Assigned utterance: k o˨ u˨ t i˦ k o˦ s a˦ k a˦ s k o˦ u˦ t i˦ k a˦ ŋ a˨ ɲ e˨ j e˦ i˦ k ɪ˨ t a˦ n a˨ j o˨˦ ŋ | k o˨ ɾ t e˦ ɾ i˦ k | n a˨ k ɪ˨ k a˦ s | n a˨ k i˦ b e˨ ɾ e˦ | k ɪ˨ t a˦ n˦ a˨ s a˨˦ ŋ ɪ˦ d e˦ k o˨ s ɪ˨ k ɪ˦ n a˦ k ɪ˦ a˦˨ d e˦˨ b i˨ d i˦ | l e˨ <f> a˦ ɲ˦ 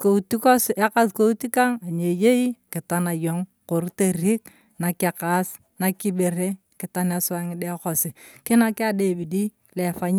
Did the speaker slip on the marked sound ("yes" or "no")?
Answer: no